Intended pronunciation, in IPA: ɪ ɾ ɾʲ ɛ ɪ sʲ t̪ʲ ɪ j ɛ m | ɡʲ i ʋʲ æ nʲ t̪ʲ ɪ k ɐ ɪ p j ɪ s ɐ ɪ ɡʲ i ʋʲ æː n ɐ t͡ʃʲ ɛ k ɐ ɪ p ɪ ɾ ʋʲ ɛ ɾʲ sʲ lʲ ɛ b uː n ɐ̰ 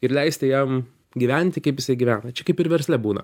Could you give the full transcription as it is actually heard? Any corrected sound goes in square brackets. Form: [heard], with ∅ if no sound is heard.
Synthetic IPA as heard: ɪ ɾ [lʲ] ɛ ɪ sʲ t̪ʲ ɪ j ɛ m | ɡʲ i ʋʲ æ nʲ t̪ʲ ɪ k ɐ ɪ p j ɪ s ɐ ɪ ɡʲ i ʋʲ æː n ɐ t͡ʃʲ ɛ k ɐ ɪ p ɪ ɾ ʋʲ ɛ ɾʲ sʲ lʲ ɛ b uː n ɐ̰